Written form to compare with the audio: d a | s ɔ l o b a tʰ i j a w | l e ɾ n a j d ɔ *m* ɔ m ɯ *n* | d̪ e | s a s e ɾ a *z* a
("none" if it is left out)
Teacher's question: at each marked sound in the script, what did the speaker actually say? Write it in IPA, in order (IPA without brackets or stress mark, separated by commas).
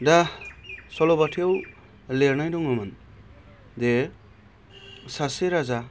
ŋ, n, z